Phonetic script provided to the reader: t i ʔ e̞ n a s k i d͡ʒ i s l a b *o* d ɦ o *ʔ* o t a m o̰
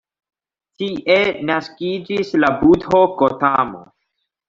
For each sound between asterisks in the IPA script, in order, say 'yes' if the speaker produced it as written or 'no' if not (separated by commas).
no, no